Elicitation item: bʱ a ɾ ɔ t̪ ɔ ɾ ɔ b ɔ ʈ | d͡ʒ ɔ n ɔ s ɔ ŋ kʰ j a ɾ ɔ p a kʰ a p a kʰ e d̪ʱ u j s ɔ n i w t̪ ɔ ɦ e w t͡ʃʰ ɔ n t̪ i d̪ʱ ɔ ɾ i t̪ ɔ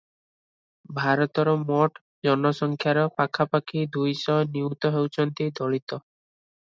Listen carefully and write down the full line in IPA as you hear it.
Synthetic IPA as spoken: bʱ a ɾ ɔ t̪ ɔ ɾ ɔ m ɔ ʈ | d͡ʒ ɔ n ɔ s ɔ ŋ kʰ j a ɾ ɔ p a kʰ a p a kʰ i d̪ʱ u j s ɔ n i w t̪ ɔ ɦ e w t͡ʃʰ ɔ n t̪ i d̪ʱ ɔ ɭ i t̪ ɔ

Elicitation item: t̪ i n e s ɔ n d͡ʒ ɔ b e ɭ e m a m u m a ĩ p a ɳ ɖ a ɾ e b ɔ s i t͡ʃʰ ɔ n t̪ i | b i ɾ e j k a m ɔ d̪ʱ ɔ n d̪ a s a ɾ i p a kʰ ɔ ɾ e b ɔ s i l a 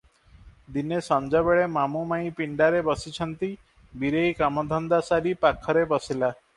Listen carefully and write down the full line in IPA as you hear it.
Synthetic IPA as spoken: d̪ i n e s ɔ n d͡ʒ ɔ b e ɭ e m a m u m a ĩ p i ɳ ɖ a ɾ e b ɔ s i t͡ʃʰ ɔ n t̪ i | b i ɾ e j k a m ɔ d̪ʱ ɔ n d̪ a s a ɾ i p a kʰ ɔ ɾ e b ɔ s i l a

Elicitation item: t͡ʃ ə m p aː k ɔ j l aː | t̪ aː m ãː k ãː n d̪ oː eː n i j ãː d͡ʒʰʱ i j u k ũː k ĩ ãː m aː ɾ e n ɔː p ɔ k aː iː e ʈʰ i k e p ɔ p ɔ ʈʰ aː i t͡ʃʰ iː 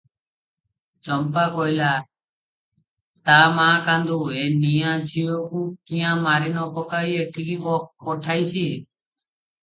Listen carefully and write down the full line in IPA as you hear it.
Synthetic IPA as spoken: t͡ʃ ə m p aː k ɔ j l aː | t̪ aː m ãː k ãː n d̪ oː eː n i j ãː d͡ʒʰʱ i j o k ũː k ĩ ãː m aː ɾ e n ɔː p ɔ k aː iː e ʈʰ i k i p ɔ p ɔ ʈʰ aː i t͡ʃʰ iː

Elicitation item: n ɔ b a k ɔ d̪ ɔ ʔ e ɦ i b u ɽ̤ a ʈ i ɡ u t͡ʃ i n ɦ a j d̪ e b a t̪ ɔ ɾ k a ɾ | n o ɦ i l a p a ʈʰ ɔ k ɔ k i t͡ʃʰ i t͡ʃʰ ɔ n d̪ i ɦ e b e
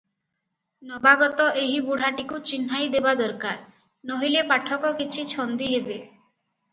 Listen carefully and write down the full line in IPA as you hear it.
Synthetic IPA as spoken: n ɔ b a ɡ ɔ t̪ ɔ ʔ e ɦ i b u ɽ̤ a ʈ i k u t͡ʃ i n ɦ a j d̪ e b a d̪ ɔ ɾ k a ɾ | n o ɦ i l e p a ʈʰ ɔ k ɔ k i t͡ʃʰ i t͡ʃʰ ɔ n d̪ i ɦ e b e

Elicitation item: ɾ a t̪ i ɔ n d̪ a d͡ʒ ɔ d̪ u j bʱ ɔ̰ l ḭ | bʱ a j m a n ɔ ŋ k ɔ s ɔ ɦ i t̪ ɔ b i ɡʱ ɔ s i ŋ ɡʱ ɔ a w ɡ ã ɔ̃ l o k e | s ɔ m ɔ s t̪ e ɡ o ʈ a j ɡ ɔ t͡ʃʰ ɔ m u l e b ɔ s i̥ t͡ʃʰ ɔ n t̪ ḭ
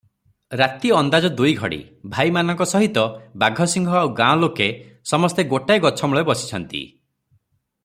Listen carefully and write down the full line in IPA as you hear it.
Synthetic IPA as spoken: ɾ a t̪ i ɔ n d̪ a d͡ʒ ɔ d̪ u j ɡʱ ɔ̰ ɽ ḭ | bʱ a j m a n ɔ ŋ k ɔ s ɔ ɦ i t̪ ɔ b a ɡʱ ɔ s i ŋ ɡʱ ɔ a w ɡ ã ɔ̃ l o k e | s ɔ m ɔ s t̪ e ɡ o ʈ a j ɡ ɔ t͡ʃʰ ɔ m u ɭ e b ɔ s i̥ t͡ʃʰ ɔ n t̪ ḭ

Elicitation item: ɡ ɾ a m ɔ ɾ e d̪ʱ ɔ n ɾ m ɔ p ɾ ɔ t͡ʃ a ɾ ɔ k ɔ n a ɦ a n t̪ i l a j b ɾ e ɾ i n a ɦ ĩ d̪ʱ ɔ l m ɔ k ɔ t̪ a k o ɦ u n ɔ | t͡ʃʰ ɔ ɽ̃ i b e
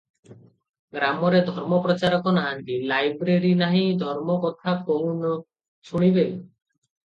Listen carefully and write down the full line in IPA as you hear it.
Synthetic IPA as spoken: ɡ ɾ a m ɔ ɾ e d̪ʱ ɔ ɾ m ɔ p ɾ ɔ t͡ʃ a ɾ ɔ k ɔ n a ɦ a n t̪ i l a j b ɾ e ɾ i n a ɦ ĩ d̪ʱ ɔ ɾ m ɔ k ɔ t̪ʰ a k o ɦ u n ɔ | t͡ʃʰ u ɽ̃ i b e

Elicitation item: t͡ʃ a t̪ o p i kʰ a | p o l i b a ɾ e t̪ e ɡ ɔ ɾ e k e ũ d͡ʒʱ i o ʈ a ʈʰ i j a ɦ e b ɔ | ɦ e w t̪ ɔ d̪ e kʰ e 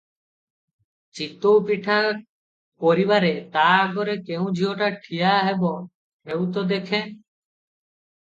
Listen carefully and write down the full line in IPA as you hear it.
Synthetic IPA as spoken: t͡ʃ i t̪ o p i ʈʰ a | p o ɾ i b a ɾ e t̪ a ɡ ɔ ɾ e k e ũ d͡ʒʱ i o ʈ a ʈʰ i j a ɦ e b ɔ | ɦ e w t̪ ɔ d̪ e kʰ e

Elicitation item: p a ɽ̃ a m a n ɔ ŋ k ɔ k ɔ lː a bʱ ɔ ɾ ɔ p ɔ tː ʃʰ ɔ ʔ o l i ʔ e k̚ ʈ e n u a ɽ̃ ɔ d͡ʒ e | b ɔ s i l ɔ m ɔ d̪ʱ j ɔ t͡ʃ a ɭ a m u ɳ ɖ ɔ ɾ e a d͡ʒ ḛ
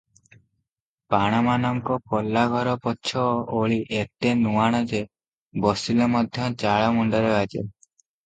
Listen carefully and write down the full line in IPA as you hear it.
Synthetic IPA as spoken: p a ɽ̃ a m a n ɔ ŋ k ɔ k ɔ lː a ɡʱ ɔ ɾ ɔ p ɔ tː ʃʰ ɔ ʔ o ɭ i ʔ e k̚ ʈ e n u a ɽ̃ ɔ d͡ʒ e | b ɔ s i l ɔ m ɔ d̪ʱ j ɔ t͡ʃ a ɭ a m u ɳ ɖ ɔ ɾ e a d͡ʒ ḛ

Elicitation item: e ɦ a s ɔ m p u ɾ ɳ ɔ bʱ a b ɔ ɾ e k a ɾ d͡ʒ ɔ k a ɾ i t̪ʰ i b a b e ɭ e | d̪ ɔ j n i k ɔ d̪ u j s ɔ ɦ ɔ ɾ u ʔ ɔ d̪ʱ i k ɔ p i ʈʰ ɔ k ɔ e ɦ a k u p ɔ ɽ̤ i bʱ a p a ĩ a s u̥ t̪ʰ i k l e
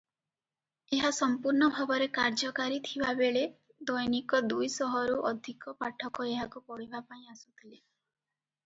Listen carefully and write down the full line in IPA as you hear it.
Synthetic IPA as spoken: e ɦ a s ɔ m p u ɾ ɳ ɔ bʱ a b ɔ ɾ e k a ɾ d͡ʒ ɔ k a ɾ i t̪ʰ i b a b e ɭ e | d̪ ɔ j n i k ɔ d̪ u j s ɔ ɦ ɔ ɾ u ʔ ɔ d̪ʱ i k ɔ p a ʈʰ ɔ k ɔ e ɦ a k u p ɔ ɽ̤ i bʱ a p a ĩ a s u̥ t̪ʰ i l e

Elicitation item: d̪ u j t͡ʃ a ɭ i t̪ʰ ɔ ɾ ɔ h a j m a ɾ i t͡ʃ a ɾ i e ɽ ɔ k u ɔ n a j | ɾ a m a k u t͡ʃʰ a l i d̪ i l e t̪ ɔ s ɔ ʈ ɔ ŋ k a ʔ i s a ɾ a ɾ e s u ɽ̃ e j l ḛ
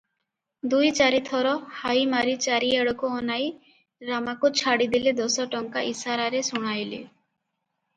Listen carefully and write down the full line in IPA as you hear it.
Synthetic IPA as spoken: d̪ u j t͡ʃ a ɾ i t̪ʰ ɔ ɾ ɔ h a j m a ɾ i t͡ʃ a ɾ i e ɽ ɔ k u ɔ n a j | ɾ a m a k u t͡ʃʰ a ɽ i d̪ i l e d̪ ɔ s ɔ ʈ ɔ ŋ k a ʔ i s a ɾ a ɾ e s u ɽ̃ a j l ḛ

